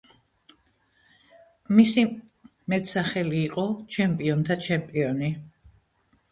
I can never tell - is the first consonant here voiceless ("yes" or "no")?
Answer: no